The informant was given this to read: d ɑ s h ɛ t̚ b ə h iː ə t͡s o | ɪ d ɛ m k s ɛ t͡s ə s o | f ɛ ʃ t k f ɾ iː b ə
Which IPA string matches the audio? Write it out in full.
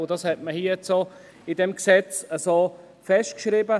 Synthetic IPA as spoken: d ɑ s h ɛ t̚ m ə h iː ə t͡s o | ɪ d ɛ m k s ɛ t͡s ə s o | f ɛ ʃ t k ʃ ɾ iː b ə